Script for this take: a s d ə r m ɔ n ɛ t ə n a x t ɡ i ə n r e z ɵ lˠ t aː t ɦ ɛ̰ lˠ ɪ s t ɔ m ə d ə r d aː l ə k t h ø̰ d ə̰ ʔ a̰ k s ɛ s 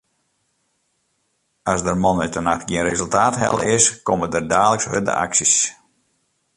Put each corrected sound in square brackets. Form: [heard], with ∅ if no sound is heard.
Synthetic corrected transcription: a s d ə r m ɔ n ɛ t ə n a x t ɡ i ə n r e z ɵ lˠ t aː t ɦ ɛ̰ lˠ ɪ s [k] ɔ m ə d ə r d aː l ə k [s] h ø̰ d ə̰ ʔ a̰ k s [i] s